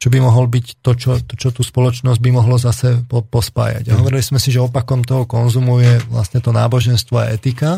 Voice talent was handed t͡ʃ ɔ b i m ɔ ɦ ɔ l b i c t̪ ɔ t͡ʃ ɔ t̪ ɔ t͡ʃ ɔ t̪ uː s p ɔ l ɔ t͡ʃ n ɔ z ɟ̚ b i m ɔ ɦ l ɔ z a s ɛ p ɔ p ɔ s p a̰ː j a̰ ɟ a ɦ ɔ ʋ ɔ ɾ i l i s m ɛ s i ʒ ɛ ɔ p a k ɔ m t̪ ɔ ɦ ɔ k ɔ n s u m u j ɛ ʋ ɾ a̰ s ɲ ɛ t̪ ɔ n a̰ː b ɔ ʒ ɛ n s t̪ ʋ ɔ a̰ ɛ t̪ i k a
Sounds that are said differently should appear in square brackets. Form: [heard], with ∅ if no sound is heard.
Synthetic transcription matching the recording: t͡ʃ ɔ b i m ɔ ɦ ɔ l b i c t̪ ɔ t͡ʃ ɔ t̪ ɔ t͡ʃ ɔ t̪ uː s p ɔ l ɔ t͡ʃ n ɔ z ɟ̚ b i m ɔ ɦ l ɔ z a s ɛ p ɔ p ɔ s p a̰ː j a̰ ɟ a ɦ ɔ ʋ ɔ ɾ i l i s m ɛ s i ʒ ɛ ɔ p a k ɔ m t̪ ɔ ɦ ɔ k ɔ n [z] u m u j ɛ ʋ [l] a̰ s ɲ ɛ t̪ ɔ n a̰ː b ɔ ʒ ɛ n s t̪ ʋ ɔ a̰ ɛ t̪ i k a